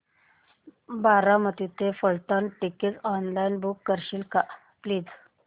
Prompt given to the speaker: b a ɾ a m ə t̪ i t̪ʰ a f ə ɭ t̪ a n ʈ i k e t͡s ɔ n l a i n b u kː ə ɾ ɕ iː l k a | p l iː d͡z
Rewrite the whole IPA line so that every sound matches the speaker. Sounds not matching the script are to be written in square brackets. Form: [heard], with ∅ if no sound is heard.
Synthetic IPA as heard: b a ɾ a m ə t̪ i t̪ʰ [e] f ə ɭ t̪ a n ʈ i k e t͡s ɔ n l a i n b u kː ə ɾ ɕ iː l k a | p l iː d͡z